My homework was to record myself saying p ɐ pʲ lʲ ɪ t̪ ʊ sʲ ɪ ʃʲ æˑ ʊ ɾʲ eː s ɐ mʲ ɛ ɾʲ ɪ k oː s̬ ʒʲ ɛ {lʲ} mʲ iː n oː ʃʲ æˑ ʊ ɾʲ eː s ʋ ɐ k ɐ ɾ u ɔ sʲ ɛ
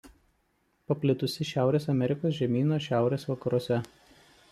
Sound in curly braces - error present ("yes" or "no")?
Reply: yes